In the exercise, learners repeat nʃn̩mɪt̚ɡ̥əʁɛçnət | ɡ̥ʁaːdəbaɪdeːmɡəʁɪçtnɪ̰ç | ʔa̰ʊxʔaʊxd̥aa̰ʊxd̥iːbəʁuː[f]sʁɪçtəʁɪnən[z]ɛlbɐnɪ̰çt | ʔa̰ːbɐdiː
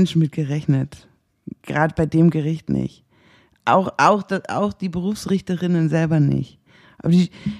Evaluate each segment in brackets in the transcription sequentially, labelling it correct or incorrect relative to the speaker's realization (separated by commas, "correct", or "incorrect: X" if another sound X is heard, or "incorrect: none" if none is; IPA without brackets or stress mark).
correct, correct